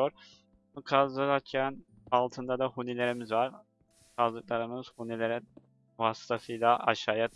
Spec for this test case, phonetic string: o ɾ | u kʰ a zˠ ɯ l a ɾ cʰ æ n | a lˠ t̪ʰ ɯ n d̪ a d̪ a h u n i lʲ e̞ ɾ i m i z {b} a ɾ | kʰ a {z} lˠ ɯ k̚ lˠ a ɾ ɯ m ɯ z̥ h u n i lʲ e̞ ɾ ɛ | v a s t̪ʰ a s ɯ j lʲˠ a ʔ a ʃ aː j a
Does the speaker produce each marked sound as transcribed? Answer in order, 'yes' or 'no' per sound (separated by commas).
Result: no, yes